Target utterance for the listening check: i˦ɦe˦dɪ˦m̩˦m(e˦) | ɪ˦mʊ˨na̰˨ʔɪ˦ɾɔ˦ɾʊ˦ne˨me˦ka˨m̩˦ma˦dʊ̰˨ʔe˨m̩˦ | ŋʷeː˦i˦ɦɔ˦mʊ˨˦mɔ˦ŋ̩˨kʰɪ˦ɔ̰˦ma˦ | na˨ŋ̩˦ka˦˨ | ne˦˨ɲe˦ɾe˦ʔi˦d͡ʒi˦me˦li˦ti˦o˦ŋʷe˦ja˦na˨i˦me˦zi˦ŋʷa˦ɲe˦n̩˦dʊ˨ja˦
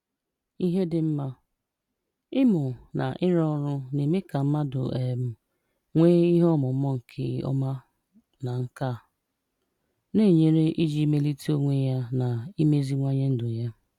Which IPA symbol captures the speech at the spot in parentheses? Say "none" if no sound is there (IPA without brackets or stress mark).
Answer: a˦